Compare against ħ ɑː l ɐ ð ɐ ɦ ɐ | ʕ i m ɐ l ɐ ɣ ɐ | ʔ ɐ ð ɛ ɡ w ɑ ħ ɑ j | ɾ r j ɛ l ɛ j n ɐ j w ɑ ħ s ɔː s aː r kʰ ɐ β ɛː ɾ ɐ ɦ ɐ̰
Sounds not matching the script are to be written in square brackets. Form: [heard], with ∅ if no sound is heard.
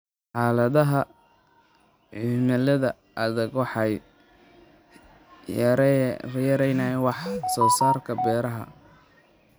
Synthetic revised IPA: ħ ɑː l ɐ ð ɐ ɦ ɐ | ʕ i m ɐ l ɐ [ð] ɐ | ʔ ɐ ð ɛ ɡ w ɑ ħ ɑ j | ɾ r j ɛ [ɾ] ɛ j n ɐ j w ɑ ħ s ɔː s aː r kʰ ɐ [b] ɛː ɾ ɐ ɦ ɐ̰